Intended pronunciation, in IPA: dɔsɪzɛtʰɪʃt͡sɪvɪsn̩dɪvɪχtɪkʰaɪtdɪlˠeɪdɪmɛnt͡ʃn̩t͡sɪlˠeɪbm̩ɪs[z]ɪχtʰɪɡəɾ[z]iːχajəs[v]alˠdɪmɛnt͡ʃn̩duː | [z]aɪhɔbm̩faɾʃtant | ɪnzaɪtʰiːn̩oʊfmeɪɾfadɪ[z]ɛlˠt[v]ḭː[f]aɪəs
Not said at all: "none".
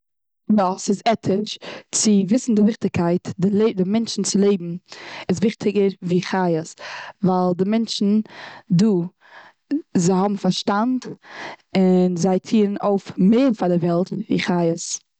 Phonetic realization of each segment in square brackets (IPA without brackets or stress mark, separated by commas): v, v, v, z, v, v, χ